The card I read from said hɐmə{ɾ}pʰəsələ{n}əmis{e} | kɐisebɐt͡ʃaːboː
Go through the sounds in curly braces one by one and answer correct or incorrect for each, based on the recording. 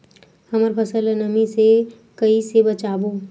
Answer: correct, correct, correct

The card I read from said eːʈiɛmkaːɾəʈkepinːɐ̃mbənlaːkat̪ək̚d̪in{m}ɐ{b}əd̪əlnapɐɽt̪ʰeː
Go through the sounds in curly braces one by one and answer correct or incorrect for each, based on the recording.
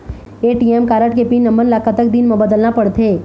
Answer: correct, correct

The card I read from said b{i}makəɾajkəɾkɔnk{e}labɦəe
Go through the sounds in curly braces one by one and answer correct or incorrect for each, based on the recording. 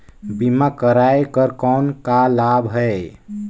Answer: correct, incorrect: a

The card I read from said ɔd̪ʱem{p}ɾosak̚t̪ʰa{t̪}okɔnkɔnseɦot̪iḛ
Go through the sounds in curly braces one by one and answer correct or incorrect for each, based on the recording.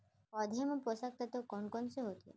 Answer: correct, correct

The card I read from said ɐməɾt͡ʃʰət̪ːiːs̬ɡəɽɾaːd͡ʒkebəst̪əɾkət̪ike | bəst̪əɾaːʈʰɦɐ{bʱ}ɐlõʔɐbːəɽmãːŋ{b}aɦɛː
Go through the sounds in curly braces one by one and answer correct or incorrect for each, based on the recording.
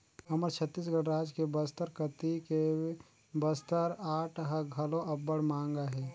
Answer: incorrect: ɡʱ, incorrect: ɡ

